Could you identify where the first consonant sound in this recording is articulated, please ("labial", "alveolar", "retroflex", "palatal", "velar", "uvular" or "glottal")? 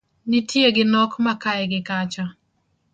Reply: alveolar